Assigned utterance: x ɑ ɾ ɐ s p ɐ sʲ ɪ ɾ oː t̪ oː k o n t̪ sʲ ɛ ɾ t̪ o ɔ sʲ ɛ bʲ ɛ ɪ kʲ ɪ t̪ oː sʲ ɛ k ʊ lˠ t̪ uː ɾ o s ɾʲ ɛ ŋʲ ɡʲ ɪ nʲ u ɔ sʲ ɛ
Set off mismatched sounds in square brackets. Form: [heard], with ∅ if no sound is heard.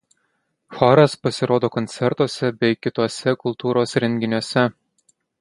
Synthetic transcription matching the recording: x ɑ ɾ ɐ s p ɐ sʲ ɪ ɾ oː [d̪] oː k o n t̪ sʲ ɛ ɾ t̪ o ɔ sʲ ɛ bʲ ɛ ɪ kʲ ɪ t̪ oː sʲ ɛ k ʊ lˠ t̪ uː ɾ o s ɾʲ ɛ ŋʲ ɡʲ ɪ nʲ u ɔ sʲ ɛ